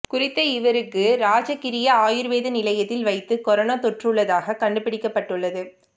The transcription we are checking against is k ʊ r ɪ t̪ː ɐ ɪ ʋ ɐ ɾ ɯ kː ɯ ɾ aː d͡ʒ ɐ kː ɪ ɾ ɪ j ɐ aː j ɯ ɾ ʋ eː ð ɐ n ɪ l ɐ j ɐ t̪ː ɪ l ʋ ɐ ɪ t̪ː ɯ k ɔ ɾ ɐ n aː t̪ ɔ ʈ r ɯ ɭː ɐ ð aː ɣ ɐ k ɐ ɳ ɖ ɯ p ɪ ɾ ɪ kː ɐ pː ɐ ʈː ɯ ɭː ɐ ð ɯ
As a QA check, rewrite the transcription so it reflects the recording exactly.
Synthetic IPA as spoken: k ʊ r ɪ t̪ː ɐ ɪ ʋ ɐ ɾ ɯ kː ɯ ɾ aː d͡ʒ ɐ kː ɪ ɾ ɪ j ɐ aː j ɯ ɾ ʋ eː ð ɐ n ɪ l ɐ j ɐ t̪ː ɪ l ʋ ɐ ɪ t̪ː ɯ k ɔ ɾ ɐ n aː t̪ ɔ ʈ r ɯ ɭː ɐ ð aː ɣ ɐ k ɐ ɳ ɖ ɯ p ɪ ɽ ɪ kː ɐ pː ɐ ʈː ɯ ɭː ɐ ð ɯ